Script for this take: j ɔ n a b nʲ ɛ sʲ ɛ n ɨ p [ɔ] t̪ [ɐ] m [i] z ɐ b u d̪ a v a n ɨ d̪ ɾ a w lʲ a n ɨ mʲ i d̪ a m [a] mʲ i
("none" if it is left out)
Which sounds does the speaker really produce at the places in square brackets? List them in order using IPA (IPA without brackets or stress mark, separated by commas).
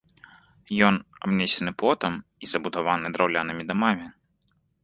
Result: ɔ, ɐ, i, a